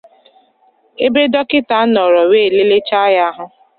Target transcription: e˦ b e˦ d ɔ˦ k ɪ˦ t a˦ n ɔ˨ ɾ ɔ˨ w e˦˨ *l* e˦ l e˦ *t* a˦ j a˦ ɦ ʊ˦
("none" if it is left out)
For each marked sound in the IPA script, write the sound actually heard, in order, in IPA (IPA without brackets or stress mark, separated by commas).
l, t͡ʃ